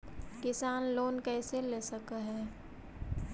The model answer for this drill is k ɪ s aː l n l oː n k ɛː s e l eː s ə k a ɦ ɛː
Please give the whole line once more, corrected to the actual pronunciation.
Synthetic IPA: k ɪ s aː n l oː n k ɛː s e l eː s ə k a ɦ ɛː